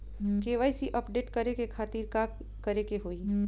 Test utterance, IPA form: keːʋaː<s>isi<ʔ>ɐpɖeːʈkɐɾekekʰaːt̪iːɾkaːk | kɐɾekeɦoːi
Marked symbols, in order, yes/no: no, yes

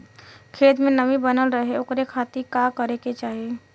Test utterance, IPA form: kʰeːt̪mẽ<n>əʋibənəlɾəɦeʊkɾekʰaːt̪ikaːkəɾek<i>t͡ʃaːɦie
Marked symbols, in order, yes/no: yes, no

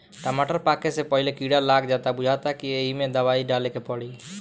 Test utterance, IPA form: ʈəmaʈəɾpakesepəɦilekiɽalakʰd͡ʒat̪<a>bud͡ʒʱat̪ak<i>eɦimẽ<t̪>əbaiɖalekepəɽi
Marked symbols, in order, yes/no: yes, yes, no

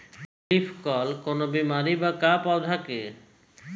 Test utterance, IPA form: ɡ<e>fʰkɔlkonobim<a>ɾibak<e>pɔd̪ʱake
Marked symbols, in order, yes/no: no, yes, no

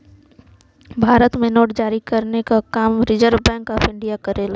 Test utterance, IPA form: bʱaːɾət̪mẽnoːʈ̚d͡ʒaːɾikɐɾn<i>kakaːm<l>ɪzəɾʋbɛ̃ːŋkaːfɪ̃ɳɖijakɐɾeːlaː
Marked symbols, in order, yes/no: no, no

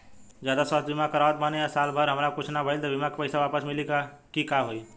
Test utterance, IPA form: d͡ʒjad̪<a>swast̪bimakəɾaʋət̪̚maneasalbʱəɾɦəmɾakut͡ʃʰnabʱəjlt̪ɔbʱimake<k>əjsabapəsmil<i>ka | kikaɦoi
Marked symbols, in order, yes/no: yes, no, yes

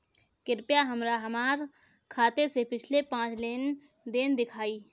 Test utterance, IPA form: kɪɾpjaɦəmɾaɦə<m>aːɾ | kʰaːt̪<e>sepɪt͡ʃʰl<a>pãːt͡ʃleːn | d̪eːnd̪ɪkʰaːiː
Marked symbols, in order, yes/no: yes, yes, no

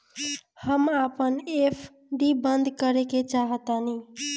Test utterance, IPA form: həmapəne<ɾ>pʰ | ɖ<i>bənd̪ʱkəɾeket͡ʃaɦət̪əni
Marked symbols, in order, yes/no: no, yes

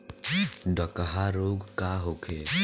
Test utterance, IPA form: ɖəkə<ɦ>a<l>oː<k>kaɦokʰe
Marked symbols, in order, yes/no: yes, no, no

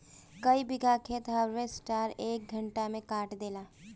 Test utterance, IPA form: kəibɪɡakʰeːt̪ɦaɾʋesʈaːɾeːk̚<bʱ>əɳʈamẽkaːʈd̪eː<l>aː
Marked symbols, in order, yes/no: no, yes

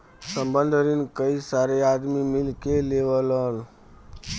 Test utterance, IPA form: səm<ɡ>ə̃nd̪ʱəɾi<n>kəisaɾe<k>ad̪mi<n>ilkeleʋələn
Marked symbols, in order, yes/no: no, yes, no, no

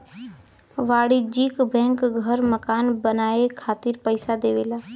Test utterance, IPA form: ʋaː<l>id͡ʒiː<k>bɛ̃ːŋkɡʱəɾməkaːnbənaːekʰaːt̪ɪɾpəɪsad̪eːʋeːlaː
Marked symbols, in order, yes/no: no, yes

